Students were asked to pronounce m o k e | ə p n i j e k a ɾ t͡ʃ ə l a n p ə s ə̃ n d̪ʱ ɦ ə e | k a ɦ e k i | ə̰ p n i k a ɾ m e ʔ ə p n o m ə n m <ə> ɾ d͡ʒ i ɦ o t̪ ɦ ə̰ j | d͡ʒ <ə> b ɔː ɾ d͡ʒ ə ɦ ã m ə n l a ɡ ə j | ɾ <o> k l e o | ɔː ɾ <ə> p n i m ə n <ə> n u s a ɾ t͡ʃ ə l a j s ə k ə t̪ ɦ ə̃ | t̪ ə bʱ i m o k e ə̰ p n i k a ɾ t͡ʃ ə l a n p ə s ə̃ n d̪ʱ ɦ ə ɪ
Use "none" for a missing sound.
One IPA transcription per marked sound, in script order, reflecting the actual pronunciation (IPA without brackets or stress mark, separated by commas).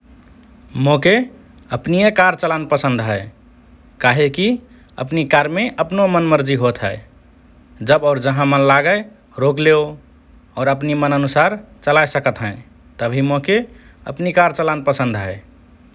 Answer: ə, ə, o, ə, ə